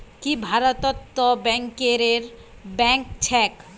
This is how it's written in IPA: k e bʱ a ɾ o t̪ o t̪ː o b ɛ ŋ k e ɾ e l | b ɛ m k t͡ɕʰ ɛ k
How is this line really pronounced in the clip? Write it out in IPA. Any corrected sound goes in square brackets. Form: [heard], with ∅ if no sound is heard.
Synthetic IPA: k [i] bʱ a ɾ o t̪ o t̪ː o b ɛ ŋ k e ɾ e [ɾ] | b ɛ [ŋ] k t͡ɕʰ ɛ k